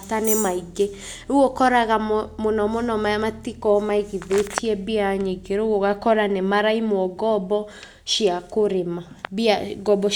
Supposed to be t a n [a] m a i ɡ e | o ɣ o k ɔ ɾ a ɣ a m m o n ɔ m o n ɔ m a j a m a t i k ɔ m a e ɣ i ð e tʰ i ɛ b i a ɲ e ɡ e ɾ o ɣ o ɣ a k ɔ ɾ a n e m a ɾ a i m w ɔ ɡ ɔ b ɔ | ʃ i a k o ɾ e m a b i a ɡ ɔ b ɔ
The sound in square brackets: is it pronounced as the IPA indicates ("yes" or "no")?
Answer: no